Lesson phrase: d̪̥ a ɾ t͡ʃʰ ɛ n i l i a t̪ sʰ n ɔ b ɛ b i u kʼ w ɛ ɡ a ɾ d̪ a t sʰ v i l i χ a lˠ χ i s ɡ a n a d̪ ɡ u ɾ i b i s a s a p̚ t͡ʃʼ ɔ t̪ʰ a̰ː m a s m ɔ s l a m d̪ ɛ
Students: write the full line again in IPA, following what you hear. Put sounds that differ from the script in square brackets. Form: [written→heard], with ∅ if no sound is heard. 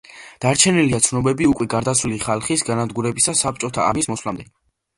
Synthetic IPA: d̪̥ a ɾ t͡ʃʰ ɛ n i l i a t̪ sʰ n ɔ b ɛ b i u kʼ w ɛ ɡ a ɾ d̪ a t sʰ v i l i χ a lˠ χ i s ɡ a n a d̪ ɡ u ɾ [i→ɛ] b i s a s a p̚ t͡ʃʼ ɔ t̪ʰ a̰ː m [a→i] s m ɔ s l a m d̪ ɛ